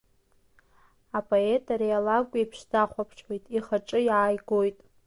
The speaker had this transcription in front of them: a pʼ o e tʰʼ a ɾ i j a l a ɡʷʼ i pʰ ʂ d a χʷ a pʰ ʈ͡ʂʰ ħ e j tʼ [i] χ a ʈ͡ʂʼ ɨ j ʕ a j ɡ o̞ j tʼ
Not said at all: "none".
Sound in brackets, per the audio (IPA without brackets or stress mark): i